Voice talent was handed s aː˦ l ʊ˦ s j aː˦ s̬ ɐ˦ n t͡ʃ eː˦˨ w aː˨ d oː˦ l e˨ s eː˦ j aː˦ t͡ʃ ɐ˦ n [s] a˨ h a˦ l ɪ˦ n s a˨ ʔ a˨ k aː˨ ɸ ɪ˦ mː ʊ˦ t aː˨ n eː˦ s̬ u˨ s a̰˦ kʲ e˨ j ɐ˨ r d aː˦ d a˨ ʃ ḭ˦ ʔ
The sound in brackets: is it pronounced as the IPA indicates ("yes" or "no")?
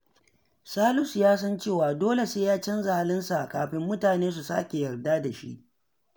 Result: no